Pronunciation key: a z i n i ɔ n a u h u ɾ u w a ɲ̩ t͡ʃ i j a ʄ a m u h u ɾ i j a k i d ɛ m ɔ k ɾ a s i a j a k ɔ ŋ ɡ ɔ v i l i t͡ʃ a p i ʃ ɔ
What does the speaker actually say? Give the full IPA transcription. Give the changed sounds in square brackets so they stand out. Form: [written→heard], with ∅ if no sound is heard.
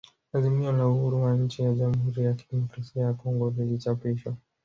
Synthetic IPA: a z i [n→m] i ɔ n a u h u ɾ u w a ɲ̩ t͡ʃ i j a ʄ a m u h u ɾ i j a k i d ɛ m ɔ k ɾ a s i a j a k ɔ ŋ ɡ ɔ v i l i t͡ʃ a p i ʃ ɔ